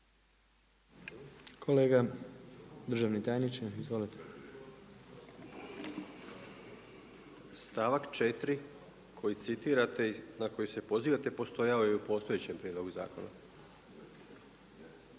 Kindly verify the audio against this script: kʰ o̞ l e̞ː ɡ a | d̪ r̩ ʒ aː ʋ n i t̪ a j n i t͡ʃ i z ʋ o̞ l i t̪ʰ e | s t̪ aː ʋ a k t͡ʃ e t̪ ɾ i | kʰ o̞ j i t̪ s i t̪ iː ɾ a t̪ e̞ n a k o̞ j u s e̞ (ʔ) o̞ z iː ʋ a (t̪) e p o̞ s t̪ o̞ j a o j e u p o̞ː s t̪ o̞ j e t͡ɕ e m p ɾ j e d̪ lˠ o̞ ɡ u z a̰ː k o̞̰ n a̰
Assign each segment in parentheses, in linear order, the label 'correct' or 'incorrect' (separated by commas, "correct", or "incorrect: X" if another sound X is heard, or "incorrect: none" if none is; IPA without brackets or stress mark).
incorrect: p, correct